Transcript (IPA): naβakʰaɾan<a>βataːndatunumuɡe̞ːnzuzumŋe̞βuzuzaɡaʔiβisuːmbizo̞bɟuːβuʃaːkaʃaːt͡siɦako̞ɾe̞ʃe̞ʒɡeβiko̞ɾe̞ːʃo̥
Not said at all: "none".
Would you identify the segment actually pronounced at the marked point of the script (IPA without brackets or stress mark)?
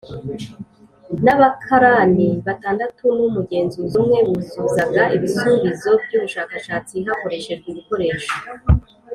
i